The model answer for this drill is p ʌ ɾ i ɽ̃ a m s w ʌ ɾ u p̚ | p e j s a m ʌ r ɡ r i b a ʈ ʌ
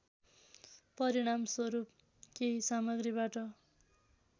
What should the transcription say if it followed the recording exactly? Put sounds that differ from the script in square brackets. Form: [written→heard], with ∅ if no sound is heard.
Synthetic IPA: p ʌ ɾ i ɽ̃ a m s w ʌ ɾ u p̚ | [p→k] e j s a m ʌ [r→∅] ɡ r i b a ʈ ʌ